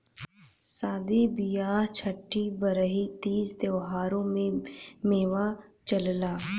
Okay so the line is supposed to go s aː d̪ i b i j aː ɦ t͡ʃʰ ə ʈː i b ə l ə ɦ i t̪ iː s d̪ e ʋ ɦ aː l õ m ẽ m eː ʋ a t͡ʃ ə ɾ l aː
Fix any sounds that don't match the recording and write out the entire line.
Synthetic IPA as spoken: s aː d̪ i b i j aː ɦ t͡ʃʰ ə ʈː i b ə ɾ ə ɦ i t̪ iː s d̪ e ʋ ɦ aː ɾ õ m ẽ m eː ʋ a t͡ʃ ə l l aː